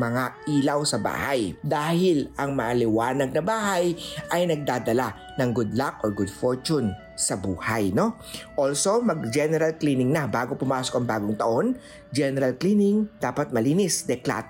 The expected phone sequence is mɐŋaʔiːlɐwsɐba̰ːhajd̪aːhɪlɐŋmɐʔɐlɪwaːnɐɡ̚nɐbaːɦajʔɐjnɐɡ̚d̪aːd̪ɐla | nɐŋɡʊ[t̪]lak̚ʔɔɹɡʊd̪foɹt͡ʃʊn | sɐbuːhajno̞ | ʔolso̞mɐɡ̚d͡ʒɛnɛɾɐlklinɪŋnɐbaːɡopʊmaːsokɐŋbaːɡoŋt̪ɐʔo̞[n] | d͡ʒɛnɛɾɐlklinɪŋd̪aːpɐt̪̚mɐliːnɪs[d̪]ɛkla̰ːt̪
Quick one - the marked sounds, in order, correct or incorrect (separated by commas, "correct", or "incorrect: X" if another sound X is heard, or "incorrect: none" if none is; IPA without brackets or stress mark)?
incorrect: d̪, correct, correct